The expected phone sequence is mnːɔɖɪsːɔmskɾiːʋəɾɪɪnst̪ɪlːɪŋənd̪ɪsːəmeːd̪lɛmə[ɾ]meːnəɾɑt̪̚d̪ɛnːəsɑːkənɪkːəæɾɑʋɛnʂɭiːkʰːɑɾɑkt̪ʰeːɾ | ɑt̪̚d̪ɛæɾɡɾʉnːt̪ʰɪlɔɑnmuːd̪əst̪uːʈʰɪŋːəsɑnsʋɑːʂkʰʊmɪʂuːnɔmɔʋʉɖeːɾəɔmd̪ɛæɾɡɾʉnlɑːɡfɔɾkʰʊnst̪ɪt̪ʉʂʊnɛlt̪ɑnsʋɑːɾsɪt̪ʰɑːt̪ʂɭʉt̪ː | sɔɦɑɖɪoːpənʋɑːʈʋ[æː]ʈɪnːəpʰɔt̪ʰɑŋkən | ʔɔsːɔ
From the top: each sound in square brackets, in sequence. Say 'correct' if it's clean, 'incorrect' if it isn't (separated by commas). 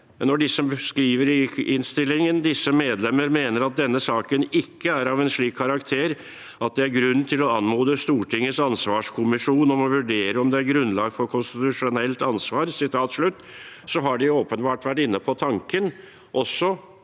correct, incorrect